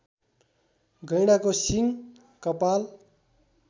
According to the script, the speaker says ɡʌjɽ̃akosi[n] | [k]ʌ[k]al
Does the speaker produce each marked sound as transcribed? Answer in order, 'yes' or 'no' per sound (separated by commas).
no, yes, no